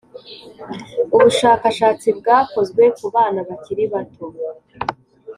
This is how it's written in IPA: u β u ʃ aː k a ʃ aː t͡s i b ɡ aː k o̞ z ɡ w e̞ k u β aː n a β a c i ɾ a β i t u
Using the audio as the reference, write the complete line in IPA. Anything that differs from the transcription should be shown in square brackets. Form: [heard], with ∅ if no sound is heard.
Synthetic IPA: u β u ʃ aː k a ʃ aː t͡s i b ɡ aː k o̞ z ɡ w e̞ k u β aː n a β a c i ɾ [i] β [a] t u

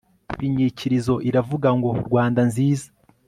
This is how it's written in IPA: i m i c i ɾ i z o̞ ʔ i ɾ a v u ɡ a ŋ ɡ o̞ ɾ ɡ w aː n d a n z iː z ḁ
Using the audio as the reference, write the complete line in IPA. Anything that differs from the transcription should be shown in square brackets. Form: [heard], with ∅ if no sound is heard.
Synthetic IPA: i [ɲ] i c i ɾ i z o̞ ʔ i ɾ a v u ɡ a ŋ ɡ o̞ ɾ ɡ w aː n d a n z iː z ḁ

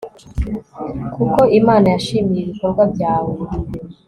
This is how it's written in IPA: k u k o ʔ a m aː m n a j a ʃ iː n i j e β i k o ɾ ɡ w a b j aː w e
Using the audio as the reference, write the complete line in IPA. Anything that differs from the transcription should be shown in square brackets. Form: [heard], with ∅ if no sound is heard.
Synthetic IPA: k u k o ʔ [i] m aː [∅] n a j a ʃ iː [m] i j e β i k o ɾ ɡ w a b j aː w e

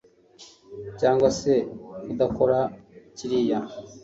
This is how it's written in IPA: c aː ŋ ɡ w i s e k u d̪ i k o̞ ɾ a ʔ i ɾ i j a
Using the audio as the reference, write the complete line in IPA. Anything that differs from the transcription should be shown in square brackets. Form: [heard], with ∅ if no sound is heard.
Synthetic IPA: c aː ŋ ɡ w [a] s e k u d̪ [a] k o̞ ɾ a [c] i ɾ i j a

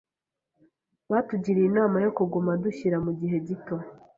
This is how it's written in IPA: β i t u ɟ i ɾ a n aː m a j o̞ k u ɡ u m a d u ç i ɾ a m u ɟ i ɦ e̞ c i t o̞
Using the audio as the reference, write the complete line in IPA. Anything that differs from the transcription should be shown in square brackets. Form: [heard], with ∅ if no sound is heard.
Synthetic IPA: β [a] t u ɟ i ɾ [i] n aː m a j o̞ k u ɡ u m a d u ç i ɾ a m u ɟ i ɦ e̞ [ɟ] i t o̞

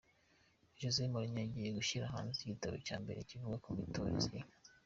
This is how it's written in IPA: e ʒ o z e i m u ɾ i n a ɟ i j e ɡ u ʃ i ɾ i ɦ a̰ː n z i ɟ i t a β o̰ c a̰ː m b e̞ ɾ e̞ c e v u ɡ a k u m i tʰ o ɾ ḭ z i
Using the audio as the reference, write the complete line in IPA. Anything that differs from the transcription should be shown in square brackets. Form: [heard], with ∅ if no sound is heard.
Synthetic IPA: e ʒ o z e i m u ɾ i [ɲ] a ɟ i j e ɡ u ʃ i ɾ [a] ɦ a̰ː n z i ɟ i t a β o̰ c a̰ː m b e̞ ɾ e̞ c [i] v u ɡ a k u m i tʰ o ɾ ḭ z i

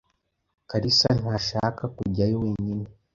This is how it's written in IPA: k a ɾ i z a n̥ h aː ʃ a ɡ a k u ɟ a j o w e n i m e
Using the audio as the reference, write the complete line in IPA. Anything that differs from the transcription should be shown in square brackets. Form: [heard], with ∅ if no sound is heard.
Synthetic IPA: k a ɾ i [s] a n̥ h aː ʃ a [k] a k u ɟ a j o w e [ɲ] i [n] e

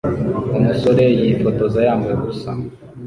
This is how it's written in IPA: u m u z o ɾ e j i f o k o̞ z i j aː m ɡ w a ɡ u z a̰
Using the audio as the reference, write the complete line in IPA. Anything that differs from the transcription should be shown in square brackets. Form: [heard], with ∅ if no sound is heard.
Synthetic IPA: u m u [s] o ɾ e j i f o [t] o̞ z [a] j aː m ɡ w [e] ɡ u [s] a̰

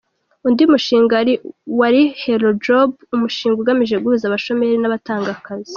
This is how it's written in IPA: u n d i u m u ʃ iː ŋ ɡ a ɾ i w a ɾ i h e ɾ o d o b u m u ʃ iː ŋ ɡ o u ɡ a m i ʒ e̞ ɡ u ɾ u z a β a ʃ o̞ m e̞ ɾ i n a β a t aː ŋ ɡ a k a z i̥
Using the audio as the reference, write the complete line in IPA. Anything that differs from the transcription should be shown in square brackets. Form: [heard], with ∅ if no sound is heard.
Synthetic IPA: u n d i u m u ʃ iː ŋ ɡ a ɾ i w a ɾ i h e ɾ o [d͡ʒ] o b u m u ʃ iː ŋ ɡ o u ɡ a m i ʒ e̞ ɡ u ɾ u z a β a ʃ o̞ m e̞ ɾ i n a β a t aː ŋ ɡ a k a z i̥

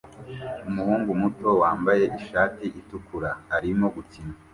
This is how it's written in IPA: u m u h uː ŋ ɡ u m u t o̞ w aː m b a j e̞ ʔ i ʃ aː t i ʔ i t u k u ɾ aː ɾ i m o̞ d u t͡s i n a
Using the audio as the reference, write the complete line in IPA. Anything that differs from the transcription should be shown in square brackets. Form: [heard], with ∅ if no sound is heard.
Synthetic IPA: u m u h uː ŋ ɡ u m u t o̞ w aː m b a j e̞ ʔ i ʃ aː t i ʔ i t u k u ɾ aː ɾ i m o̞ [ɡ] u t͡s i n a

